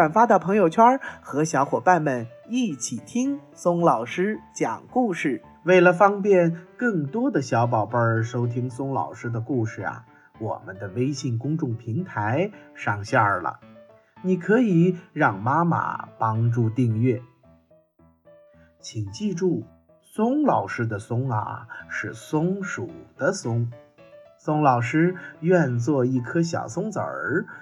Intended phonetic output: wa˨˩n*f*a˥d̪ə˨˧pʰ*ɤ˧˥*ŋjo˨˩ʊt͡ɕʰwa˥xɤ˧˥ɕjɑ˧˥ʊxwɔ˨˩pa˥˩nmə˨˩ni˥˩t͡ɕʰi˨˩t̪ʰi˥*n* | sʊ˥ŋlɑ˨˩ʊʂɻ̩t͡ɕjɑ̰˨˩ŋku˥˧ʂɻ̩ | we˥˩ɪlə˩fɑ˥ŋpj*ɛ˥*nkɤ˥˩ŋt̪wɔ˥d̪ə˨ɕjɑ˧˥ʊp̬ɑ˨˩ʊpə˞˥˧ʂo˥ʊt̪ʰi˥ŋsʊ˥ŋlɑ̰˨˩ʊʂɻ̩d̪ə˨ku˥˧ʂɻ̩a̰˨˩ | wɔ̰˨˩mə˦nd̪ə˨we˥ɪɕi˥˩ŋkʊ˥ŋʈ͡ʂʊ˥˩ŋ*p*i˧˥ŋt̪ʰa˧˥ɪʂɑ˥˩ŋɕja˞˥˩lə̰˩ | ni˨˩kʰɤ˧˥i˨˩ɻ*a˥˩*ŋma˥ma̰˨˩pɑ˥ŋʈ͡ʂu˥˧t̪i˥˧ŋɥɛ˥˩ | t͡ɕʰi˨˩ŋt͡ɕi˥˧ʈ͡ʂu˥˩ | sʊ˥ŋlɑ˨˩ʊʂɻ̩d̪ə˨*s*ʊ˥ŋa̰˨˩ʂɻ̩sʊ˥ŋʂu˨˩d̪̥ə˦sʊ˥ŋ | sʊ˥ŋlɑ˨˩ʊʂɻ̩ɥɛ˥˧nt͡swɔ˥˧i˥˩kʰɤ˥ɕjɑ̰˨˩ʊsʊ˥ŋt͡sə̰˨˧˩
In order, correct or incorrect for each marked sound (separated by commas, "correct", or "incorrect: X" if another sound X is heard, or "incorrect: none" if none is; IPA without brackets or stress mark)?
correct, correct, incorrect: ŋ, incorrect: ɛ˥˧, incorrect: pʰ, incorrect: ɑ˥˩, correct